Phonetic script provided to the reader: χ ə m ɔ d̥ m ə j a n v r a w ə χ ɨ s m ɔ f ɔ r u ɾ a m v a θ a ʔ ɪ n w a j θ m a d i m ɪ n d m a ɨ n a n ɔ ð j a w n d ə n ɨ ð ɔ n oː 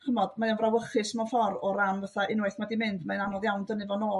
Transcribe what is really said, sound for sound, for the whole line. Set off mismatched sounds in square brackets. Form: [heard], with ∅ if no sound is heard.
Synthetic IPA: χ ə m ɔ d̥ m [a] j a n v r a w ə χ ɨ s m ɔ f ɔ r [ɔ] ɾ a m v a θ a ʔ ɪ n w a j θ m a d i m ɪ n d m a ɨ n a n ɔ ð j a w n d ə n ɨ [v] ɔ n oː